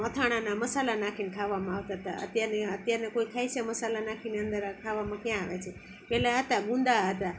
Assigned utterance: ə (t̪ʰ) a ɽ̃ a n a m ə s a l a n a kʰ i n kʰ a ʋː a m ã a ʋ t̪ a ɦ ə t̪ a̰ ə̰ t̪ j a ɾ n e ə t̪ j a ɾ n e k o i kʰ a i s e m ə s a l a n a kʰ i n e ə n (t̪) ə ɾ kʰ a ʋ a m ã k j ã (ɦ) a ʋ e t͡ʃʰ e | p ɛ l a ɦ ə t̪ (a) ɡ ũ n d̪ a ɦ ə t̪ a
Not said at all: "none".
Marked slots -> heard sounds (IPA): t̪ʰ, d̪, none, a

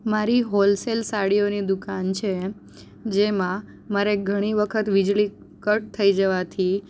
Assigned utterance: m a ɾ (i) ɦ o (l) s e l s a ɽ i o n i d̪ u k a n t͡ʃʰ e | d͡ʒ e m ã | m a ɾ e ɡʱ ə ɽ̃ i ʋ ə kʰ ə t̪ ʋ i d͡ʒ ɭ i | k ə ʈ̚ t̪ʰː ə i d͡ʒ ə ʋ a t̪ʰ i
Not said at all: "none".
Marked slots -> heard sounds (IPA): i, l

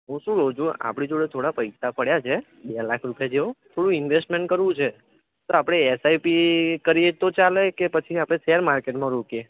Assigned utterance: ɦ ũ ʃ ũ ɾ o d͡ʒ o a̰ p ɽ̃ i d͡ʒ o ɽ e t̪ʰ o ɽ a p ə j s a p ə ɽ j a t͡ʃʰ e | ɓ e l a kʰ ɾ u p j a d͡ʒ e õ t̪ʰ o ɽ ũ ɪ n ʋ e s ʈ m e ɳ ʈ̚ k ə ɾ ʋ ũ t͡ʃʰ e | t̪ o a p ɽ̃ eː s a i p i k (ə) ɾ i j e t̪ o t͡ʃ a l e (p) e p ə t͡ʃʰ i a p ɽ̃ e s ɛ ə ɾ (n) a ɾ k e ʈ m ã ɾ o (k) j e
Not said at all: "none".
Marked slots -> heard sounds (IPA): ə, k, m, k

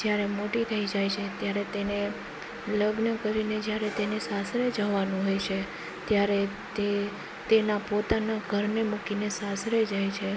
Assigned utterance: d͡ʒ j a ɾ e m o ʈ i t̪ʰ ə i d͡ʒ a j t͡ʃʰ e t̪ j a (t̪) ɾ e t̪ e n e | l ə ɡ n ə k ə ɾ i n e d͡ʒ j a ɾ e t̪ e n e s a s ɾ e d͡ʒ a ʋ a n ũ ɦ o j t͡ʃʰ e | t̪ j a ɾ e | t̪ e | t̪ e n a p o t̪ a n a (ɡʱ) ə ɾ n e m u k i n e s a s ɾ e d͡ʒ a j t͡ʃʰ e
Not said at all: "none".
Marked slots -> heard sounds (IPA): none, ɡʱ

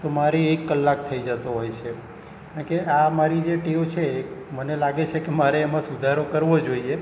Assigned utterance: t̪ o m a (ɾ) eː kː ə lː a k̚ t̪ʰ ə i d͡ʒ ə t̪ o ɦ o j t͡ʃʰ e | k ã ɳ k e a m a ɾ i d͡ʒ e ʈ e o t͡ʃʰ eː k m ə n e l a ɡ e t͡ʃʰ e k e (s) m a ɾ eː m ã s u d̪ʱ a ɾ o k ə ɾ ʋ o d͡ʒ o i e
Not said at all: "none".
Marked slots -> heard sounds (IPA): ɾ, none

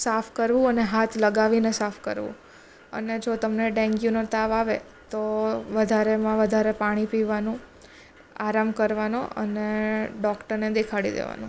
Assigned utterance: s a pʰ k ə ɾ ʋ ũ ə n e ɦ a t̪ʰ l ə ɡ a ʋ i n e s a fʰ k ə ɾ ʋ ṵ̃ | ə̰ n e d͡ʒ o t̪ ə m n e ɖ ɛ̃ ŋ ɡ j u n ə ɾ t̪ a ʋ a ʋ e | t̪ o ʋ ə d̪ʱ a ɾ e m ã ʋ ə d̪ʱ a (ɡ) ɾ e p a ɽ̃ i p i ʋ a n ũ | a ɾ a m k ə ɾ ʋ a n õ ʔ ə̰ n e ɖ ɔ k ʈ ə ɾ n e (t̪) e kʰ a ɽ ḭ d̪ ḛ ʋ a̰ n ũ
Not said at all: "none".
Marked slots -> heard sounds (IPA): none, d̪

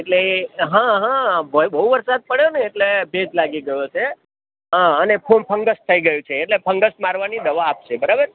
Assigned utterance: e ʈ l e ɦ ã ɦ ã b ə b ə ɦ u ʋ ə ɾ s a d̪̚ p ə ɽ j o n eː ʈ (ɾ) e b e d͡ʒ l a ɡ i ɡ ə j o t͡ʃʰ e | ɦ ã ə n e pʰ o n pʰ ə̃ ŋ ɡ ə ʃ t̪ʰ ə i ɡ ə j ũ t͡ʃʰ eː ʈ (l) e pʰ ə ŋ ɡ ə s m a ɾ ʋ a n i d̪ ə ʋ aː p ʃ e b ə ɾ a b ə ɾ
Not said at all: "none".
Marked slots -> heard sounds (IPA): l, l

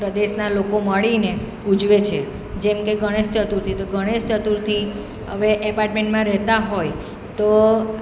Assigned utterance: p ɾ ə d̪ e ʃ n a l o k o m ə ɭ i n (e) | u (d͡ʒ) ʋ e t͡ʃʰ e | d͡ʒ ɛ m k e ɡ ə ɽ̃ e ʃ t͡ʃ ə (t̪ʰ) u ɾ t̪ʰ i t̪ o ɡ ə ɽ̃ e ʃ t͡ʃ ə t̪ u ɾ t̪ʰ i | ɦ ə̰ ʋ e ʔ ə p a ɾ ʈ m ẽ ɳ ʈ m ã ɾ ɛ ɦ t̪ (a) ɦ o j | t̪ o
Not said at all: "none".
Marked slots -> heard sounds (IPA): e, d͡ʒ, t̪, a

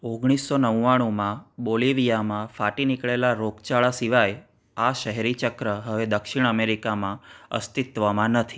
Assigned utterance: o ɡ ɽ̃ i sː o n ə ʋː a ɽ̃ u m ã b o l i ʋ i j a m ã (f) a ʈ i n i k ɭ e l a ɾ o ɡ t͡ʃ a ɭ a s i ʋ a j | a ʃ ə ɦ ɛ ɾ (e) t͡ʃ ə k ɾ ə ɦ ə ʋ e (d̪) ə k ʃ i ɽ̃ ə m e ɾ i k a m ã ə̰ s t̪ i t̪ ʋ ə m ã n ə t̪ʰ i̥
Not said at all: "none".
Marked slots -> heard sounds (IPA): f, i, d̪

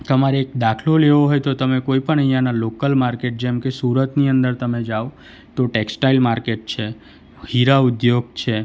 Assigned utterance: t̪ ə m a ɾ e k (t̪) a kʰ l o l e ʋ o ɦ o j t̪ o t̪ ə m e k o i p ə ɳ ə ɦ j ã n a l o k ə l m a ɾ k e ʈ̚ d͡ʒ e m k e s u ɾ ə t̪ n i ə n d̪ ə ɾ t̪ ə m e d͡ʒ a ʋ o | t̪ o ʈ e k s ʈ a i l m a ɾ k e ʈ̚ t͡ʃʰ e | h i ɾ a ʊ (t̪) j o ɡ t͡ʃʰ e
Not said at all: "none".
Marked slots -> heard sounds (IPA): d̪, d̪

